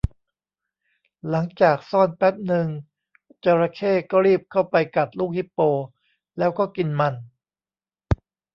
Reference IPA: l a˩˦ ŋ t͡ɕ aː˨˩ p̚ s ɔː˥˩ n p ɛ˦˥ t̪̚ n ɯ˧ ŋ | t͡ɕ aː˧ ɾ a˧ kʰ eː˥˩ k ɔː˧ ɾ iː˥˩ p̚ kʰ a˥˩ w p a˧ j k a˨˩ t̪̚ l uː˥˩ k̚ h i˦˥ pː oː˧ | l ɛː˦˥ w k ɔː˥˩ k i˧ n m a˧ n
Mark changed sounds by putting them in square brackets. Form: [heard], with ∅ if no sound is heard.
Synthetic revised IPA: l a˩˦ ŋ t͡ɕ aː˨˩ [k̚] s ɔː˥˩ n p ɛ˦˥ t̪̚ n ɯ˧ ŋ | t͡ɕ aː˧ ɾ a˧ kʰ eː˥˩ k [ɔː˥˩] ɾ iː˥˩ p̚ kʰ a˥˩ w p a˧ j k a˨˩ t̪̚ l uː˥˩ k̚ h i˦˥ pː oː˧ | l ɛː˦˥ w k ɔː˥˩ k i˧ n m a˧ n